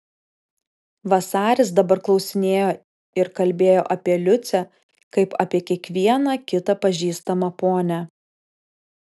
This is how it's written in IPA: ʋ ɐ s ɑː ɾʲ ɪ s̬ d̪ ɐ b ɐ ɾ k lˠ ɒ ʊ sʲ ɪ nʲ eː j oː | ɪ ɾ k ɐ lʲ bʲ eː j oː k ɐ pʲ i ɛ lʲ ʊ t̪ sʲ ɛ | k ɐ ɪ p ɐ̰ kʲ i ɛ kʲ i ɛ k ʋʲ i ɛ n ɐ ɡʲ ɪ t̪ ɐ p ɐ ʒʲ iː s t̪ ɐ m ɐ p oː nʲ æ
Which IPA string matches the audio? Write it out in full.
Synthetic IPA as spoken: ʋ ɐ s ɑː ɾʲ ɪ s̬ d̪ ɐ b ɐ ɾ k lˠ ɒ ʊ sʲ ɪ nʲ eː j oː | ɪ ɾ k ɐ lʲ bʲ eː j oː ʔ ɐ pʲ i ɛ lʲ ʊ t̪ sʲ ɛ | k ɐ ɪ p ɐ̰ pʲ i ɛ kʲ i ɛ k ʋʲ i ɛ n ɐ kʲ ɪ t̪ ɐ p ɐ ʒʲ iː s t̪ ɐ m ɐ p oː nʲ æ